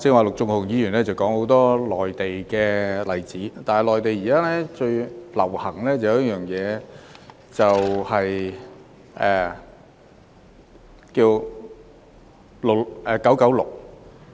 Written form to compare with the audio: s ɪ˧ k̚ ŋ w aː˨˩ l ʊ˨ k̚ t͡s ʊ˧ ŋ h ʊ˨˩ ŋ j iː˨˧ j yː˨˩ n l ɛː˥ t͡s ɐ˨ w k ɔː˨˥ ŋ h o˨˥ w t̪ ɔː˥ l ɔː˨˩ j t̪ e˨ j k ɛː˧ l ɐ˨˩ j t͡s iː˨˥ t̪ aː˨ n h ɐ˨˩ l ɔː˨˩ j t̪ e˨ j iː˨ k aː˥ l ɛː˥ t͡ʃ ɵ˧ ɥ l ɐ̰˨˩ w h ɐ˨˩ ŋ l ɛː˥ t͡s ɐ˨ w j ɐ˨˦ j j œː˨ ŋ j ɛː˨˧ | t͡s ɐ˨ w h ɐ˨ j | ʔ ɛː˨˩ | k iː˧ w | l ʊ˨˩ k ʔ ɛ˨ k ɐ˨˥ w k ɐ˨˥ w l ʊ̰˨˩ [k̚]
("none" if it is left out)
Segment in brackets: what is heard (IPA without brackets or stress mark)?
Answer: k̚